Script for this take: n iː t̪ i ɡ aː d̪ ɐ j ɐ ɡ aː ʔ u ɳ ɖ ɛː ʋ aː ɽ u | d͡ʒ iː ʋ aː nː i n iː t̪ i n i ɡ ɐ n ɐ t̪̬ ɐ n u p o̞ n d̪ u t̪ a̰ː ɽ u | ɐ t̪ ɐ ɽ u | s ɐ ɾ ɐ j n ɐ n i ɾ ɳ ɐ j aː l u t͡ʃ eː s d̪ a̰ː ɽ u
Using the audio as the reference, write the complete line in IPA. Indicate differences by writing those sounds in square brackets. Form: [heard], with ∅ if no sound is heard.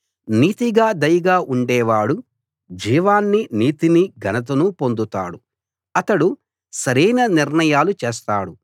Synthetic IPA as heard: n iː t̪ i ɡ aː d̪ ɐ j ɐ ɡ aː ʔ u ɳ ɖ ɛː ʋ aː ɽ u | d͡ʒ iː ʋ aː nː i n iː t̪ i n i ɡ ɐ n ɐ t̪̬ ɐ n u p o̞ n d̪ u t̪ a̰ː ɽ u | ɐ t̪ ɐ ɽ u | s ɐ ɾ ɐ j n ɐ n i ɾ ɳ ɐ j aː l u t͡ʃ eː s [t̪] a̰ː ɽ u